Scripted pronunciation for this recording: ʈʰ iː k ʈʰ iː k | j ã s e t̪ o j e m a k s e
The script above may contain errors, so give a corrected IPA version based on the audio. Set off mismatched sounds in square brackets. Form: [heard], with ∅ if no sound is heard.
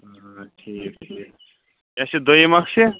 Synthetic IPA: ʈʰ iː k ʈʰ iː k | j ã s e [d̪] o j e m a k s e